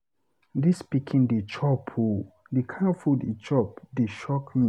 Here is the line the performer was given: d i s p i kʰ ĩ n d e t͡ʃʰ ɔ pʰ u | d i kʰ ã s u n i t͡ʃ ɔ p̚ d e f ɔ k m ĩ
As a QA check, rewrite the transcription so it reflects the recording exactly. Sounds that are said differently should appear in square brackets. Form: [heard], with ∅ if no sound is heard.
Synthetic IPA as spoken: d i s p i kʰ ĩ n d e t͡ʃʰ ɔ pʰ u | d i kʰ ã [f] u [d] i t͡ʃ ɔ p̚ d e [ʃ] ɔ k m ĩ